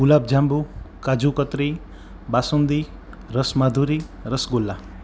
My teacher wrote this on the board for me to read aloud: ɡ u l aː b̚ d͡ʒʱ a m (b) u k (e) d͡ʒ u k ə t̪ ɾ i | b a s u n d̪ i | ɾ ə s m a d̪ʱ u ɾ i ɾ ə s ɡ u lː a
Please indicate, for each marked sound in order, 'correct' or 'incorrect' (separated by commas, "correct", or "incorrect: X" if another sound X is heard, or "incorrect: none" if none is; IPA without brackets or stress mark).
correct, incorrect: a